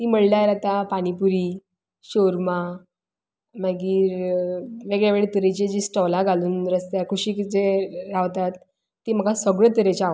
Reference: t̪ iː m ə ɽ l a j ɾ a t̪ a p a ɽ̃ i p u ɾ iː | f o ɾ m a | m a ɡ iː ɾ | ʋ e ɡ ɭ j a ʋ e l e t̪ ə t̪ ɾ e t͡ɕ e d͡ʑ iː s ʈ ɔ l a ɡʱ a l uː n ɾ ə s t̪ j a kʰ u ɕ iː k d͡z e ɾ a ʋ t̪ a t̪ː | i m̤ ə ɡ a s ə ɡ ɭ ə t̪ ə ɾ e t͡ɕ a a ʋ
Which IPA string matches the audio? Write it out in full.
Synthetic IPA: t̪ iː m ə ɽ l a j ɾ a t̪ a p a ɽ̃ i p u ɾ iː | ɕ o ɾ m a | m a ɡ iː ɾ | ʋ e ɡ ɭ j a ʋ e ɭ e t̪ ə ɾ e t͡ɕ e d͡ʑ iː s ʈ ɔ l a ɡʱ a l uː n ɾ ə s t̪ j a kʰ u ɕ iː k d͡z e ɾ a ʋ t̪ a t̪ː | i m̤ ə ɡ a s ə ɡ ɭ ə t̪ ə ɾ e t͡ɕ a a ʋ